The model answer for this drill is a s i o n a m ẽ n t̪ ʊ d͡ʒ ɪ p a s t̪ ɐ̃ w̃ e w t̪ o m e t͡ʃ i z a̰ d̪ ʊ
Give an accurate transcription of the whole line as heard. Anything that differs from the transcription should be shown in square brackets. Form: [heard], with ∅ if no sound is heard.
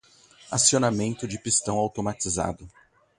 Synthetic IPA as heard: a s i o n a m ẽ n t̪ ʊ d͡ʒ ɪ p [i] s t̪ ɐ̃ w̃ [a] w t̪ o m [a] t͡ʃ i z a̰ d̪ ʊ

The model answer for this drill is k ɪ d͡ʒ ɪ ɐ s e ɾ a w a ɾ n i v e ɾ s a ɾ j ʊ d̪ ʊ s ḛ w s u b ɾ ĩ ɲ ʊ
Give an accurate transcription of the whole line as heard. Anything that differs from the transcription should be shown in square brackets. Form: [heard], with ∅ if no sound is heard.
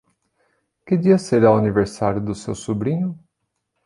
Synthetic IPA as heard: k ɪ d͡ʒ [i] ɐ s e ɾ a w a [∅] n i v e ɾ s a ɾ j ʊ d̪ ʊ s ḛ w s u b ɾ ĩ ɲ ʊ

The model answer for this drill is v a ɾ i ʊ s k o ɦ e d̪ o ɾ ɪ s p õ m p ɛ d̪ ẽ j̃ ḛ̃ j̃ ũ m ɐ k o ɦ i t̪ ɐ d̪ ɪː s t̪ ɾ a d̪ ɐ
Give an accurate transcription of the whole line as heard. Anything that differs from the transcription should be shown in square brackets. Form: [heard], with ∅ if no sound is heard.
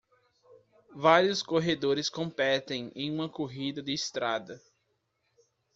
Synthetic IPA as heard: v a ɾ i ʊ s k o ɦ e d̪ o ɾ ɪ s [k] õ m p ɛ [t̪] ẽ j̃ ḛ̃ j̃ ũ m ɐ k o ɦ i [d̪] ɐ d̪ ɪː s t̪ ɾ a d̪ ɐ

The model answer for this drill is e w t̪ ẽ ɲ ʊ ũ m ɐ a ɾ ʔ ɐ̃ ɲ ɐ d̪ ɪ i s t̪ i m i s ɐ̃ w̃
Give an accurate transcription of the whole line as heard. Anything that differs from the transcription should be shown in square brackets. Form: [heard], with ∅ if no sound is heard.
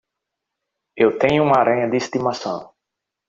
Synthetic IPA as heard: e w t̪ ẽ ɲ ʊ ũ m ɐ a ɾ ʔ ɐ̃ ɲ ɐ d̪ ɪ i s t̪ i m [a] s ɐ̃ w̃

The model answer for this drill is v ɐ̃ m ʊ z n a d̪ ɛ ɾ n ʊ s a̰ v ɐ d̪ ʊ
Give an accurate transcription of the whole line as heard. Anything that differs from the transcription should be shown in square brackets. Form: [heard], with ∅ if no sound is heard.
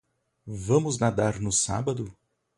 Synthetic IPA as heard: v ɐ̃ m ʊ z n a d̪ [a] ɾ n ʊ s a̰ [b] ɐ d̪ ʊ

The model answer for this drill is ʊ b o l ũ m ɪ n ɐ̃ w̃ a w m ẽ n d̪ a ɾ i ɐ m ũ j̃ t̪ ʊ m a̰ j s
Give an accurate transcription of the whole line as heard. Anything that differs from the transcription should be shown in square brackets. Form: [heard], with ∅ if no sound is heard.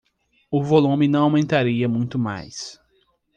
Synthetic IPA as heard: ʊ [v] o l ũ m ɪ n ɐ̃ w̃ a w m ẽ n [t̪] a ɾ i ɐ m ũ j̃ t̪ ʊ m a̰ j s

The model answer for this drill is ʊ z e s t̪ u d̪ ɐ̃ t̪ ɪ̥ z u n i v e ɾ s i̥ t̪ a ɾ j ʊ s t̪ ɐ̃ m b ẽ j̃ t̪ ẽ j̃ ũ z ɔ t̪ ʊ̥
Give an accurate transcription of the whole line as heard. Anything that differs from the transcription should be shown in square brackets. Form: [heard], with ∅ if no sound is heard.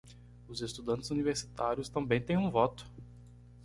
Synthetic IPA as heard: ʊ z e s t̪ u d̪ ɐ̃ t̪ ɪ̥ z u n i v e ɾ s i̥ t̪ a ɾ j ʊ s t̪ ɐ̃ m b ẽ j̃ t̪ ẽ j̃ ũ [v] ɔ t̪ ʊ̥

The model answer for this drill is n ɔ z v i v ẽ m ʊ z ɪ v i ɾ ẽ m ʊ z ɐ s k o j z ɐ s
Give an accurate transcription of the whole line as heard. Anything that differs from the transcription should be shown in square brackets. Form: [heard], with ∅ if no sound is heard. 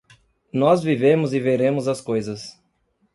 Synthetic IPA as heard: n ɔ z v i v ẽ m ʊ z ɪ v [e] ɾ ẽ m ʊ z ɐ s k o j z ɐ s

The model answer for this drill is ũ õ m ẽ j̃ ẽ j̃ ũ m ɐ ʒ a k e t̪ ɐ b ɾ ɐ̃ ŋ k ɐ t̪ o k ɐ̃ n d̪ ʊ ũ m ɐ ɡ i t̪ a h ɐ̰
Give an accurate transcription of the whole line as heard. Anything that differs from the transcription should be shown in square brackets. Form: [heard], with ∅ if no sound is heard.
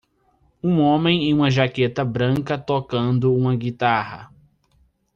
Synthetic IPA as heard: ũ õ m ẽ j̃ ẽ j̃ ũ m ɐ ʒ a k e t̪ ɐ b ɾ ɐ̃ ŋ k ɐ t̪ o k ɐ̃ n d̪ ʊ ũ m ɐ ɡ i t̪ a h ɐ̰

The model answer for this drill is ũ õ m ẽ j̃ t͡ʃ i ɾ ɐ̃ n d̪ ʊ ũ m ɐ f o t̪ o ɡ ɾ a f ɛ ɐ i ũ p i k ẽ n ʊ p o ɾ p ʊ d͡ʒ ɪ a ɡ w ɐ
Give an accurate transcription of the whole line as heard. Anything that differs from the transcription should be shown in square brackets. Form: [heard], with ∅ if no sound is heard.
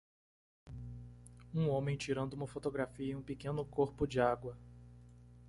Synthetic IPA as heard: ũ õ m ẽ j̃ t͡ʃ i ɾ ɐ̃ n d̪ ʊ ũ m ɐ f o t̪ o ɡ ɾ a f [i] ɐ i ũ p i k ẽ n ʊ [k] o ɾ p ʊ d͡ʒ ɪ a ɡ w ɐ

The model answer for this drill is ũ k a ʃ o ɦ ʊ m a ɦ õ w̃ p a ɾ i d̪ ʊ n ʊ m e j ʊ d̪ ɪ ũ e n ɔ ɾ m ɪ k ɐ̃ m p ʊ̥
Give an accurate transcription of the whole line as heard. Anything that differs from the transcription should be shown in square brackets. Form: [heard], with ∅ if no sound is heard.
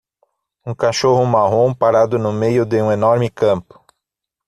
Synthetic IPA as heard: ũ k a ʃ o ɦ ʊ m a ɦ õ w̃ p a ɾ [a] d̪ ʊ n ʊ m e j ʊ d̪ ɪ ũ e n ɔ ɾ m ɪ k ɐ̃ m p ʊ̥

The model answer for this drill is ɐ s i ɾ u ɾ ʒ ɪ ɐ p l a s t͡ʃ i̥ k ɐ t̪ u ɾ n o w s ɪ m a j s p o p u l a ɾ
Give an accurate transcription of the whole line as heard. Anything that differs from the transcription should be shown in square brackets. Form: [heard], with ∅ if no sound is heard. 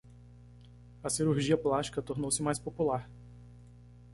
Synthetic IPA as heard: ɐ s i ɾ u ɾ ʒ [i] ɐ p l a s t͡ʃ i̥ k ɐ t̪ [o] ɾ n o w s ɪ m a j s p o p u l a ɾ

